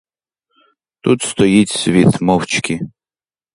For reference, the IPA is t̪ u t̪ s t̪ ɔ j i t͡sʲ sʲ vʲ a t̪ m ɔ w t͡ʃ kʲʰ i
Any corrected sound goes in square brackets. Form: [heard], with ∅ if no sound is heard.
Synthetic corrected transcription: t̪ u t̪ s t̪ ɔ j i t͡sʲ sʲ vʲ [i] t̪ m ɔ w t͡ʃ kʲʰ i